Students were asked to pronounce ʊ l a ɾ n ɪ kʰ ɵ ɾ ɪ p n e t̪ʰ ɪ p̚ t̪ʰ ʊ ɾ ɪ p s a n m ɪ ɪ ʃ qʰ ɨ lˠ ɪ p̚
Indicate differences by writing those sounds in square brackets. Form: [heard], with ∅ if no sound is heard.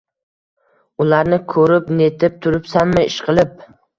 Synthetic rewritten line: ʊ l a ɾ n ɪ kʰ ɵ ɾ ɪ p n e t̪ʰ ɪ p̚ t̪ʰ ʊ ɾ ɪ p s a n m ɪ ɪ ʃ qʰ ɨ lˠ ɪ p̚